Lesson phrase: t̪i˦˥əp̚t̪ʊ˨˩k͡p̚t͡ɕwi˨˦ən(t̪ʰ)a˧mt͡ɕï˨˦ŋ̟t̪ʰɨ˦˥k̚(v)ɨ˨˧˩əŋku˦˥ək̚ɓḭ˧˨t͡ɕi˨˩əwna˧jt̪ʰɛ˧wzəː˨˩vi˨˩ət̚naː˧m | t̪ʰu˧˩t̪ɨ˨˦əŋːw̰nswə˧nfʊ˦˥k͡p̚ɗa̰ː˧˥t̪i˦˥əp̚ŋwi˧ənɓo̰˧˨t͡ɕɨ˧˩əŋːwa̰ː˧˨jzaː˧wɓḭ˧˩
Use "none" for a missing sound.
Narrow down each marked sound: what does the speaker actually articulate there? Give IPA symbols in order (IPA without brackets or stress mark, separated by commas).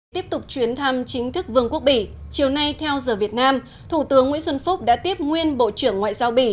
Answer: t̪ʰ, v